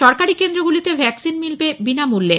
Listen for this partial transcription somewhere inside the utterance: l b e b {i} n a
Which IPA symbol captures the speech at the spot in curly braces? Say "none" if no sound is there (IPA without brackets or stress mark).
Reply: i